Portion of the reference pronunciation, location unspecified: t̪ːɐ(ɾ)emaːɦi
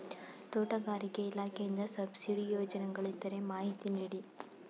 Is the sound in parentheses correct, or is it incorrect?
correct